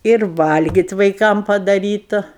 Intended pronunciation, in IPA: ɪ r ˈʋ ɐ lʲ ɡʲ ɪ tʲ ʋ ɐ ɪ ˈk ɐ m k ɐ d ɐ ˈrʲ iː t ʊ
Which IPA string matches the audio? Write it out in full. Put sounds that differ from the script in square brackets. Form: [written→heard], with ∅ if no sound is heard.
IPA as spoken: ɪ r ˈʋ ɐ lʲ ɡʲ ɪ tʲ ʋ ɐ ɪ ˈk ɐ m [k→p] ɐ d ɐ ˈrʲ iː t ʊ